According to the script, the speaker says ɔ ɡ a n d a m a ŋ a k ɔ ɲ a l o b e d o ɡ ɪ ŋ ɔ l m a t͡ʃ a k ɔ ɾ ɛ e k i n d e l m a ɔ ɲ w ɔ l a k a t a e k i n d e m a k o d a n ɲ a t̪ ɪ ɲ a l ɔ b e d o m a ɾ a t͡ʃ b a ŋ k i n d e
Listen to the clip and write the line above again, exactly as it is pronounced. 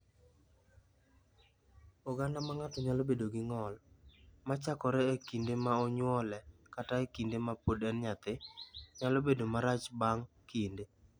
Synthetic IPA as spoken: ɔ ɡ a n d a m a ŋ a t ɔ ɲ a l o b e d o ɡ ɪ ŋ ɔ l m a t͡ʃ a k ɔ ɾ ɛ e k i n d e m a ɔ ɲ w ɔ l ɛ k a t a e k i n d e m a p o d ɛ n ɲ a t̪ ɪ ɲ a l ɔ b e d o m a ɾ a t͡ʃ b a ŋ k i n d e